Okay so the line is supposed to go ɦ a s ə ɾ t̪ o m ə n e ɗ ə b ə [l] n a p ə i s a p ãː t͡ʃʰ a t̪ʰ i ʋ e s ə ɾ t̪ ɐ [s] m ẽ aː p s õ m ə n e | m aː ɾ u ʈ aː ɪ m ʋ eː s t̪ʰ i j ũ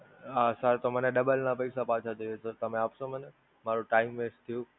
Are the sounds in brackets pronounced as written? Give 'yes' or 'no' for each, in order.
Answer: yes, no

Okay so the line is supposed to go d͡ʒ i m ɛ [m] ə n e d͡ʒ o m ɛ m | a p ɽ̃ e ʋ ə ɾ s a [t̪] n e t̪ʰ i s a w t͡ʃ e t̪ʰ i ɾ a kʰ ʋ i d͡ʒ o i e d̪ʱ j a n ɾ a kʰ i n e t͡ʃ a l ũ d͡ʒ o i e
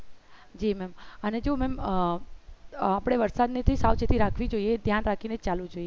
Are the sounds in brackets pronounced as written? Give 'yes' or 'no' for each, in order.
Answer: yes, no

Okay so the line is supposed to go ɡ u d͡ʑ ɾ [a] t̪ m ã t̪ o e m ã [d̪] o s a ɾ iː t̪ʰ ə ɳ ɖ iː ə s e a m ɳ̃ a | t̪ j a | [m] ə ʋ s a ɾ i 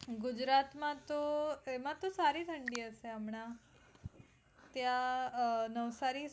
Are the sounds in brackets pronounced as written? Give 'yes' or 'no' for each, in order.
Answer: yes, no, no

